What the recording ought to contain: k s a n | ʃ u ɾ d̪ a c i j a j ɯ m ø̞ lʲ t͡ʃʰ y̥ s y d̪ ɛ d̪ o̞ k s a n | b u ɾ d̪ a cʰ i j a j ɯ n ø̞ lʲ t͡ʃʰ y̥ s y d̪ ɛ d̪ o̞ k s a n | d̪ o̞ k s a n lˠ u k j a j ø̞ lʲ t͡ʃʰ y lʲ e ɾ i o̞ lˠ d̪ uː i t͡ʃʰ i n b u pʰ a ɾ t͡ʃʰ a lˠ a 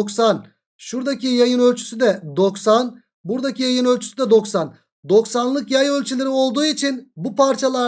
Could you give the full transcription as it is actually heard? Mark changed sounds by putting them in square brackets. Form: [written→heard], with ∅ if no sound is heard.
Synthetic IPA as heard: k s a n | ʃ u ɾ d̪ a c i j a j ɯ [m→n] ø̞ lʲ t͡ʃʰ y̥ s y d̪ ɛ d̪ o̞ k s a n | b u ɾ d̪ a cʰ i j a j ɯ n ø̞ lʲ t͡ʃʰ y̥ s y d̪ ɛ d̪ o̞ k s a n | d̪ o̞ k s a n lˠ [u→ɯ] k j a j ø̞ lʲ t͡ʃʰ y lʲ e ɾ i o̞ lˠ d̪ uː i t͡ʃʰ i n b u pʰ a ɾ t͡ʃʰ a lˠ a